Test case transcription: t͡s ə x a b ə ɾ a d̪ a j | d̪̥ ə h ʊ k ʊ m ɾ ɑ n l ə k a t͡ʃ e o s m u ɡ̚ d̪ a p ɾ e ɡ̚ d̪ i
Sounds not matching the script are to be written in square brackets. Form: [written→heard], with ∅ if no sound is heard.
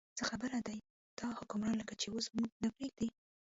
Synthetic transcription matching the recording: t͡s ə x a b ə ɾ a d̪ a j | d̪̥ [ə→ɑ] h ʊ k ʊ m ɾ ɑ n l ə k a t͡ʃ e o s m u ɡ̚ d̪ a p ɾ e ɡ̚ d̪ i